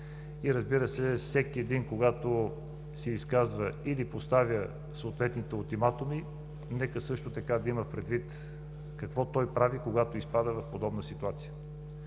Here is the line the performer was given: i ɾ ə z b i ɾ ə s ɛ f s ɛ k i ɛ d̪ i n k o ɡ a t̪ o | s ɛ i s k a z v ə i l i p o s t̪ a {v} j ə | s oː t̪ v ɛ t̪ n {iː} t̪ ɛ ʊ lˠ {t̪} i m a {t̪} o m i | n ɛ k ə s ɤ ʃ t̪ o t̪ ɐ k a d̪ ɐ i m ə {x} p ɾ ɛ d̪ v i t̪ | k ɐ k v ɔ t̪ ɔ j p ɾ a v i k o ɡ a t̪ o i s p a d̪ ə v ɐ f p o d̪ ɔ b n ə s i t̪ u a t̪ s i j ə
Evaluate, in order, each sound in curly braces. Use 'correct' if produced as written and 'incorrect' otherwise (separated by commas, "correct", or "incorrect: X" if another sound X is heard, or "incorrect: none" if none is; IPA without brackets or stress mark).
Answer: correct, incorrect: i, correct, correct, incorrect: f